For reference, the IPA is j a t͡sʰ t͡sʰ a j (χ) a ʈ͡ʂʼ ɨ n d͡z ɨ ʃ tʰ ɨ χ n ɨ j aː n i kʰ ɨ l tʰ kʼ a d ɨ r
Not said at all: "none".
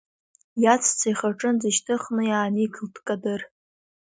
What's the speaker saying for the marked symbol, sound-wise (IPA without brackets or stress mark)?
χ